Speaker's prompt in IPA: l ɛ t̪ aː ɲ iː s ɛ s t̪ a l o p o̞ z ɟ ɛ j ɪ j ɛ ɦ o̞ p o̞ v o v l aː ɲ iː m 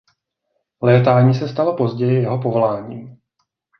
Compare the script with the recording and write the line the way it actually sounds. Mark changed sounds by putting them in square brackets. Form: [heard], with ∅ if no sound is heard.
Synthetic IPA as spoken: l [ɛː] t̪ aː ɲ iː s ɛ s t̪ a l o p o̞ z ɟ ɛ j ɪ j ɛ ɦ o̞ p o̞ v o [∅] l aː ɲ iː m